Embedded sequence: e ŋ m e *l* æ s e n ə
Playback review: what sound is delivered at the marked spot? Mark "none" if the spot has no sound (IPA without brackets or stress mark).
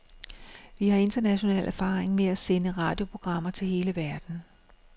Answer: none